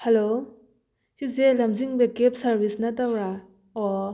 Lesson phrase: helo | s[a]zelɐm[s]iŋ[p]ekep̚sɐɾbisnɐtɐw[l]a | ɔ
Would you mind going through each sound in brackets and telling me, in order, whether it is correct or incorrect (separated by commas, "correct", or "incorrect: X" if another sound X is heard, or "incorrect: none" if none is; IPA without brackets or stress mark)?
incorrect: i, incorrect: z, incorrect: b, incorrect: ɾ